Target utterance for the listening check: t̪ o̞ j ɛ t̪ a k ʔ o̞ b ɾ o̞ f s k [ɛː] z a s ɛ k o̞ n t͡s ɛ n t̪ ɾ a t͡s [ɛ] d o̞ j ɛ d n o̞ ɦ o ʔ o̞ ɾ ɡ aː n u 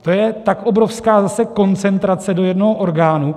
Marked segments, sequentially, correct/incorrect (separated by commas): incorrect, correct